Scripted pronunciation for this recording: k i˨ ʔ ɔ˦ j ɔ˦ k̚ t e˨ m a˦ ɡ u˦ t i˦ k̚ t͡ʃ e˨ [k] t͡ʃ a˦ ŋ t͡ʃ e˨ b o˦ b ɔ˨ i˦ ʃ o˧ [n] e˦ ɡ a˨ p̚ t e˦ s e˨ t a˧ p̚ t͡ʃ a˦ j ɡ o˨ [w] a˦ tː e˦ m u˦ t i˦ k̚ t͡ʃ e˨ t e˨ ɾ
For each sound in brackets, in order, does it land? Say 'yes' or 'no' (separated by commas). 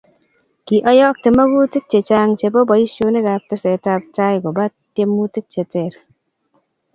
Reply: no, yes, no